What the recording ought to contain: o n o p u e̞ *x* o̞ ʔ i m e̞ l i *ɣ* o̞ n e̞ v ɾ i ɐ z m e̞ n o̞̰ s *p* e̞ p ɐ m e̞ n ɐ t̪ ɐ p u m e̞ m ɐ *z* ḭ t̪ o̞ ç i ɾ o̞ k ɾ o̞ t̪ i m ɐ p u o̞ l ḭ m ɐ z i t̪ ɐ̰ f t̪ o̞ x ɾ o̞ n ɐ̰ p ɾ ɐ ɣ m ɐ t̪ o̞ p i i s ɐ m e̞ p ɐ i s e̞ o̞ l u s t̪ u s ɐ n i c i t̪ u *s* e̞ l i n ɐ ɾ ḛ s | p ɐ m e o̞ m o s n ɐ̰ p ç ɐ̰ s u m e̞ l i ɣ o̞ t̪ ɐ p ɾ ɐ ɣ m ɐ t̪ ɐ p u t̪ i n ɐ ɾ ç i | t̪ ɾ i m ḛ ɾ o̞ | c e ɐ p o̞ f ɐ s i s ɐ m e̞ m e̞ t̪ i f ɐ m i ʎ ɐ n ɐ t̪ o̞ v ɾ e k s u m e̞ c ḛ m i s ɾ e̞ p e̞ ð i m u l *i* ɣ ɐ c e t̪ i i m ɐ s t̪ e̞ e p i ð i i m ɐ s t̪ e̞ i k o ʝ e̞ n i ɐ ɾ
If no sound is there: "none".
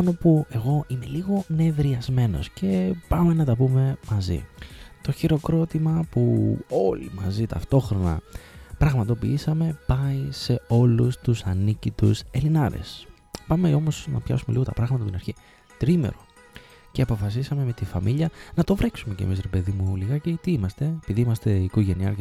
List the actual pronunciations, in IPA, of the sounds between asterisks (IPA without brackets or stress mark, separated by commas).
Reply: ɣ, ɣ, c, z, s, i